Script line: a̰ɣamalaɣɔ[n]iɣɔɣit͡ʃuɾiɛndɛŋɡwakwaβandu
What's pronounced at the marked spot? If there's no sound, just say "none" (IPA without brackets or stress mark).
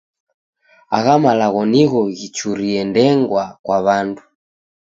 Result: n